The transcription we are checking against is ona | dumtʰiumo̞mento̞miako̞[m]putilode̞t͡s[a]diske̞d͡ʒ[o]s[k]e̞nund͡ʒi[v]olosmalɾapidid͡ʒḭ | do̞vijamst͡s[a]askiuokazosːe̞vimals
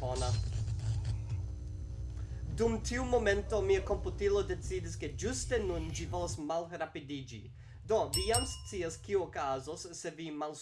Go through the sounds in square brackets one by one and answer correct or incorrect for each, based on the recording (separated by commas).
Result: correct, incorrect, incorrect, incorrect, correct, incorrect